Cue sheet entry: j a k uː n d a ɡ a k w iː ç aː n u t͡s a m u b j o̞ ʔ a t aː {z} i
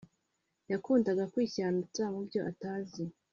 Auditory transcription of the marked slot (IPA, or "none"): z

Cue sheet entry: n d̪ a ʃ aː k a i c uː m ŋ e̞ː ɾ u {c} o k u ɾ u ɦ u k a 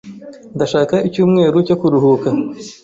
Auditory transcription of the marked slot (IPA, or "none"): c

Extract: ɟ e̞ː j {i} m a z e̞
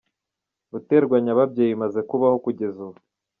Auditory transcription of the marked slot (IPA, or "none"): i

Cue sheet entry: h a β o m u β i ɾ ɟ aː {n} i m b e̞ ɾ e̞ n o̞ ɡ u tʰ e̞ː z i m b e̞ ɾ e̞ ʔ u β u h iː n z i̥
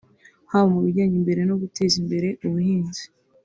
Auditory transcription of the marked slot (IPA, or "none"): ɲ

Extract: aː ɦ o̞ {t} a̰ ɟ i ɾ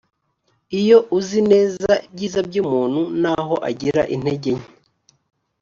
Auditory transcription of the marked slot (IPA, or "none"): ʔ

